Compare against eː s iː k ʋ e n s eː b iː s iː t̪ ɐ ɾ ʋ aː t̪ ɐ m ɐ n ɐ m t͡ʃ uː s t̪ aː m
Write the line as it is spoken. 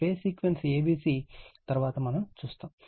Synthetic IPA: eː s iː k ʋ e n s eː b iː s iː t̪ ɐ ɾ ʋ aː t̪ ɐ m ɐ n ɐ m t͡ʃ uː s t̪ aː m